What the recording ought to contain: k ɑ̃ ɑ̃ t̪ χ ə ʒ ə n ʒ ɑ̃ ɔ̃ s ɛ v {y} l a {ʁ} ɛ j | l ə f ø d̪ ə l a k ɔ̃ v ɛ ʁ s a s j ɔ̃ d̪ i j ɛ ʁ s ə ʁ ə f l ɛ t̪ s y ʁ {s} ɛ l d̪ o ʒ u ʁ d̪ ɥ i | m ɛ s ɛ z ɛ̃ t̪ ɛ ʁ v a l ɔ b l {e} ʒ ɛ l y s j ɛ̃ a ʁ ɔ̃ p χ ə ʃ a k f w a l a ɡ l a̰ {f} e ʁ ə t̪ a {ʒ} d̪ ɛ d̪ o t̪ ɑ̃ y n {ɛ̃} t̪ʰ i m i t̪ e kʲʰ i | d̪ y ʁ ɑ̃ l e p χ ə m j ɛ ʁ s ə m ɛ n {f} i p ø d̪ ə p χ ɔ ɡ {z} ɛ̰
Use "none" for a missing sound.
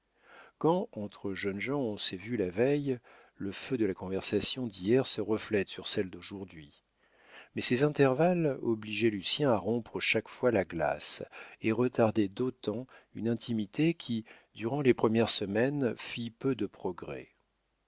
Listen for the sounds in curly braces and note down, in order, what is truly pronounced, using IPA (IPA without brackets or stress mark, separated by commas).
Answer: y, v, s, i, s, ʁ, ɛ̃, f, ʁ